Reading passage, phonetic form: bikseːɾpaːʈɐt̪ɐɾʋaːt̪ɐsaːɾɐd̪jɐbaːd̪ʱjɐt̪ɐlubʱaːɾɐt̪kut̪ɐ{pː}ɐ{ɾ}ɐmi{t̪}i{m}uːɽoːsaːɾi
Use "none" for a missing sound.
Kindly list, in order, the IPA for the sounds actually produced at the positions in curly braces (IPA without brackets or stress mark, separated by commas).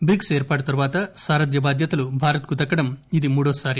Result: kː, ɽ, d̪, m